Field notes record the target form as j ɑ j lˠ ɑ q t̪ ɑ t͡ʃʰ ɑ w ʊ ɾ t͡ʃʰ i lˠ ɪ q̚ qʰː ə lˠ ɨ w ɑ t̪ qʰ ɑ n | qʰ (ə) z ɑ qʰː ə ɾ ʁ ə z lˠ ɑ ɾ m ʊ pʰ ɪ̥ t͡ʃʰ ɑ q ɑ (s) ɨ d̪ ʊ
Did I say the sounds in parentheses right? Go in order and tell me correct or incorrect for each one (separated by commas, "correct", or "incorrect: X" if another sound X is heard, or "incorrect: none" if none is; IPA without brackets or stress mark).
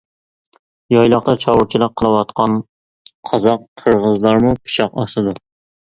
incorrect: ɑ, correct